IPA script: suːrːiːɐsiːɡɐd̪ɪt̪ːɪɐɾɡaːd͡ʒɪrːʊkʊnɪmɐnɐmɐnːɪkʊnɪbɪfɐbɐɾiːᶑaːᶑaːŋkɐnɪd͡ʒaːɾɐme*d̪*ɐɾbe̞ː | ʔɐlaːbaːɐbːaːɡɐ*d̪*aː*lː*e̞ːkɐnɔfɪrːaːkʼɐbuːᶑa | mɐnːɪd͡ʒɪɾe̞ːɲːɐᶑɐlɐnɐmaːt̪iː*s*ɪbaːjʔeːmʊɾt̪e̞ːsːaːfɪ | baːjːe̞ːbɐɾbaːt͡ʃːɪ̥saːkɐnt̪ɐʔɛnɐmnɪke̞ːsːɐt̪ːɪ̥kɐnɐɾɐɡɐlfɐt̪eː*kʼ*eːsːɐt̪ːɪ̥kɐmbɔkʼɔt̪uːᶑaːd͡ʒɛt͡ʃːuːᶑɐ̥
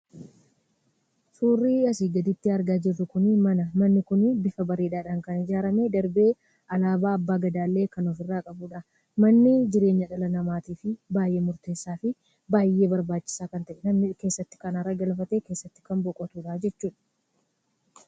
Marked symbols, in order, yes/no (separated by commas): yes, yes, yes, no, no